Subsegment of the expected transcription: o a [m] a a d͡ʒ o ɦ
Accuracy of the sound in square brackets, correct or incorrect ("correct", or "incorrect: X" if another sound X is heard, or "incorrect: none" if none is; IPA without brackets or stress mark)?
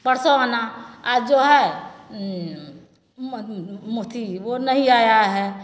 incorrect: n